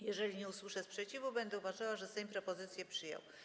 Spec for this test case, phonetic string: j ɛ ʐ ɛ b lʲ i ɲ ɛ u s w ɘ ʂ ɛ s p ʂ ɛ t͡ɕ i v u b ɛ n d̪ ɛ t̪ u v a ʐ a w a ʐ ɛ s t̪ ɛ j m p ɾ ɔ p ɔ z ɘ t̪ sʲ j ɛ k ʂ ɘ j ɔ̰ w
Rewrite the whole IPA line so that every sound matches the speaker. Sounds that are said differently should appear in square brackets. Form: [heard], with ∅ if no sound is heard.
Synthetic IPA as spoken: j ɛ ʐ ɛ [∅] lʲ i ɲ ɛ u s w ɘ ʂ ɛ s p ʂ ɛ t͡ɕ i v u b ɛ n d̪ ɛ [∅] u v a ʐ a w a ʐ ɛ s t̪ ɛ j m p ɾ ɔ p ɔ z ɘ t̪ sʲ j ɛ [p] ʂ ɘ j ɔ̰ w